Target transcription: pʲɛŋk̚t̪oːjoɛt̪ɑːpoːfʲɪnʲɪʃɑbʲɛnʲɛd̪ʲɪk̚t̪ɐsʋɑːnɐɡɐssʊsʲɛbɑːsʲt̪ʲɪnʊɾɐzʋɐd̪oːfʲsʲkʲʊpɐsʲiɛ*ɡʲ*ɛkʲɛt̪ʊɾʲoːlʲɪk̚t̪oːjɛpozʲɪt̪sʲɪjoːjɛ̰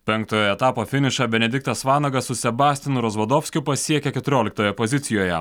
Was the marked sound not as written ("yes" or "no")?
yes